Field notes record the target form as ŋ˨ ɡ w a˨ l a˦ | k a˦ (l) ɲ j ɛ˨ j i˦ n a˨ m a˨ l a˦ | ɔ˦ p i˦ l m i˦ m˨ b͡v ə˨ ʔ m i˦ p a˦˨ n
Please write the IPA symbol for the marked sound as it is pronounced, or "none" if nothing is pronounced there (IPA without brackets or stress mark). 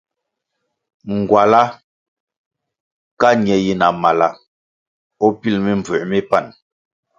none